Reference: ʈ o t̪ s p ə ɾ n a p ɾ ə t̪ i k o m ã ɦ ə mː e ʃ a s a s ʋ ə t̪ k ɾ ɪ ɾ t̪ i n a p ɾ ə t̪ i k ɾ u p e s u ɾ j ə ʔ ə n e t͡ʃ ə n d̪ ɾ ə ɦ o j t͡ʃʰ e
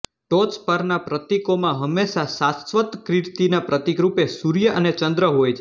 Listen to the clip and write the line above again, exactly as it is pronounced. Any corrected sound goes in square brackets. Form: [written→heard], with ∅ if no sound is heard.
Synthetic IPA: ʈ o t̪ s p ə ɾ n a p ɾ ə t̪ i k o m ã ɦ ə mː e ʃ a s a s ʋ ə t̪ k ɾ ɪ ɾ t̪ i n a p ɾ ə t̪ i k ɾ u p e s u ɾ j ə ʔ ə n e t͡ʃ ə n d̪ ɾ ə ɦ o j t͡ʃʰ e